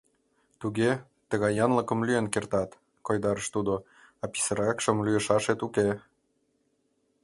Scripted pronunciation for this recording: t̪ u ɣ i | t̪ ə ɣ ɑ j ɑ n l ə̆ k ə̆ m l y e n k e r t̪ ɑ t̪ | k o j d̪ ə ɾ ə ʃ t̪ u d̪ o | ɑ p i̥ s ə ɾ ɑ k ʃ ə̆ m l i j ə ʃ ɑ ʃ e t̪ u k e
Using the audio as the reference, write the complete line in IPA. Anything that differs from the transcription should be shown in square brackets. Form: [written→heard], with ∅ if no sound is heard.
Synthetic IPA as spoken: t̪ u ɣ [i→e] | t̪ ə ɣ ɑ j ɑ n l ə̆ k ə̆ m l y e n k e r t̪ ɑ t̪ | k o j d̪ [ə→ɑ] ɾ ə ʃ t̪ u d̪ o | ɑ p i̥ s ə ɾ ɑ k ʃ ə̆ m l [i→y] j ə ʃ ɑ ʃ e t̪ u k e